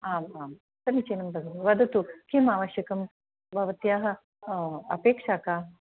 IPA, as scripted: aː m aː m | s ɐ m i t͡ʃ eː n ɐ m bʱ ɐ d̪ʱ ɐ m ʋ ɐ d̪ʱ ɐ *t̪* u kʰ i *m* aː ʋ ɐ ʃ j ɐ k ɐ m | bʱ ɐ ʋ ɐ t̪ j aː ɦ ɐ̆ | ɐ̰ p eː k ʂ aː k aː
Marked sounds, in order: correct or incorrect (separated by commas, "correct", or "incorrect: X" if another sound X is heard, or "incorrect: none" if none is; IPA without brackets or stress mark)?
correct, correct